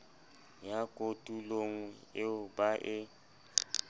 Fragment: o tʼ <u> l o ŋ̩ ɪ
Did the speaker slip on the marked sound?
no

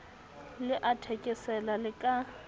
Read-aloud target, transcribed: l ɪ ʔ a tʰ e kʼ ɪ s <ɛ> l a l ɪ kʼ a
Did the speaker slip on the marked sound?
no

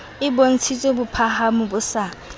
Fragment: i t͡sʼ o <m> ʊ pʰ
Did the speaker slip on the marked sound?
yes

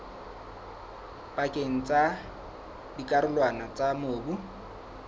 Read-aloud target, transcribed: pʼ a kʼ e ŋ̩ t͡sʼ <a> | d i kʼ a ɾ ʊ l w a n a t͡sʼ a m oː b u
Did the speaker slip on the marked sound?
no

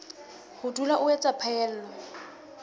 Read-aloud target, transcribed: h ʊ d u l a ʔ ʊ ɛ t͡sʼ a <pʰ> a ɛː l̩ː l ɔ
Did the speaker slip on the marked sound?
no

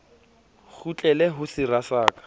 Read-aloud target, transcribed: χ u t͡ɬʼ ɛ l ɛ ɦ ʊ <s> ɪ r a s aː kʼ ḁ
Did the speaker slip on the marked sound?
no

